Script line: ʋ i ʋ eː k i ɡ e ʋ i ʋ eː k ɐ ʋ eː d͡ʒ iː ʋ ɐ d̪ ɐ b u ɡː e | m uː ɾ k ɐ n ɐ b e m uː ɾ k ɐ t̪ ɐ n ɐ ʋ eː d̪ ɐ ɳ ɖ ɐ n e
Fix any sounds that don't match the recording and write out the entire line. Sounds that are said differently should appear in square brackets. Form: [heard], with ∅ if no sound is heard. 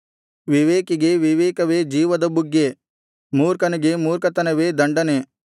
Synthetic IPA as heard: ʋ i ʋ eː k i ɡ e ʋ i ʋ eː k ɐ ʋ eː d͡ʒ iː ʋ ɐ d̪ ɐ b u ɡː e | m uː ɾ k ɐ n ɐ [ɡ] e m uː ɾ k ɐ t̪ ɐ n ɐ ʋ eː d̪ ɐ ɳ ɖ ɐ n e